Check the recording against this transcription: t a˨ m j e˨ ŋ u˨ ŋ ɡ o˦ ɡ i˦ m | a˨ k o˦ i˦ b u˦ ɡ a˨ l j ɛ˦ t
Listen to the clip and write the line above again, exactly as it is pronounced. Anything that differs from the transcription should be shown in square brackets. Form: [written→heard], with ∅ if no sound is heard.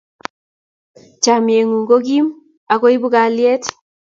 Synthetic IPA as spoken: [t→t͡ʃ] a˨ m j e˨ ŋ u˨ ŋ ɡ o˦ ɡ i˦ m | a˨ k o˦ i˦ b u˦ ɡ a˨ l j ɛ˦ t